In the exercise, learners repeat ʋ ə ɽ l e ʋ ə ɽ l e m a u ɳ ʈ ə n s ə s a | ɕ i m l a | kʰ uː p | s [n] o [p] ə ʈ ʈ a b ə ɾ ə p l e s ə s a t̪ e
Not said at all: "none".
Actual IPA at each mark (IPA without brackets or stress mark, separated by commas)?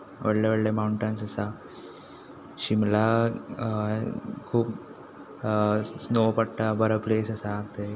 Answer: n, p